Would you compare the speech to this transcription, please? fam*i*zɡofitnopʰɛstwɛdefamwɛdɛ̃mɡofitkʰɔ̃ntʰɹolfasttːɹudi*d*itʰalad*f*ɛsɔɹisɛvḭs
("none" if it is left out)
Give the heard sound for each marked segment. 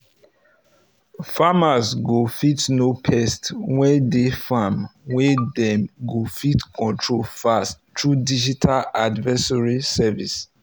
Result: a, d͡ʒ, v

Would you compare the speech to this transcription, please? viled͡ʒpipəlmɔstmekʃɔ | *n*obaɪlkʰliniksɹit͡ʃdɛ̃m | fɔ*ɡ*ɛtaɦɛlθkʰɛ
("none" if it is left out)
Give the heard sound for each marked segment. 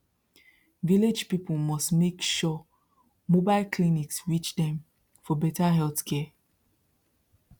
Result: m, b

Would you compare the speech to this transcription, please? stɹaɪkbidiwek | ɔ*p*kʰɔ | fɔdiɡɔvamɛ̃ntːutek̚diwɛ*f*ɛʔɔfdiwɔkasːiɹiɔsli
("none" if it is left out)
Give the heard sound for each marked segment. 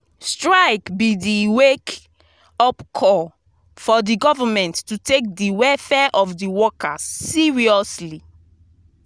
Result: p, f

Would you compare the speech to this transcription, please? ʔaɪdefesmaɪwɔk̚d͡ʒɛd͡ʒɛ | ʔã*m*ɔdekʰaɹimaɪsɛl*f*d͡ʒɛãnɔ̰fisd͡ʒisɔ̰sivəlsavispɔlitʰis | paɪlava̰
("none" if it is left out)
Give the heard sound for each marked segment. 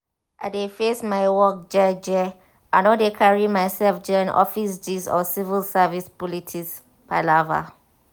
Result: n, f

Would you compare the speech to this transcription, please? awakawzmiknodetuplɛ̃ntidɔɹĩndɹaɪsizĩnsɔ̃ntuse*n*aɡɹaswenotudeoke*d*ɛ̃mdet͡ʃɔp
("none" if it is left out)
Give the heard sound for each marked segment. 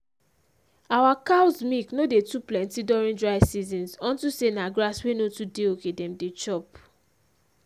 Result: n, d

